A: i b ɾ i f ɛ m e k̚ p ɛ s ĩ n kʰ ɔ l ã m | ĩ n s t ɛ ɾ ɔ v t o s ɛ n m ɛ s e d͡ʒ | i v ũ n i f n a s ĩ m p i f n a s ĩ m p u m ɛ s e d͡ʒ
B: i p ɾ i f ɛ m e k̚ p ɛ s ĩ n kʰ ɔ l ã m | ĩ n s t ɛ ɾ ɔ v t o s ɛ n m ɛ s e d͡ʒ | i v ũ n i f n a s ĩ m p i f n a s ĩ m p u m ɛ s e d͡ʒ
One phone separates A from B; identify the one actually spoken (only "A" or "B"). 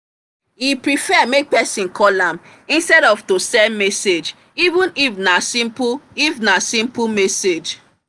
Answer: B